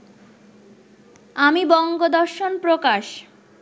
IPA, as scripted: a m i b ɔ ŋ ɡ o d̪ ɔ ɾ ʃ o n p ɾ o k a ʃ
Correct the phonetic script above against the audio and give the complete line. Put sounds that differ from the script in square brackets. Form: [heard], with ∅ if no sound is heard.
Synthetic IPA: a m i b ɔ ŋ ɡ o d̪ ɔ ɾ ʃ o n p ɾ o k a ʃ